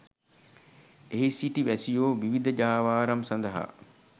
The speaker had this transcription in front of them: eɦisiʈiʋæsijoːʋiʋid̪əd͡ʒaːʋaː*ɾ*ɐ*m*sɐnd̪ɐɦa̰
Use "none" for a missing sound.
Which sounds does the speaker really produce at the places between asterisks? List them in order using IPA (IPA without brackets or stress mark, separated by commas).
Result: ɾ, m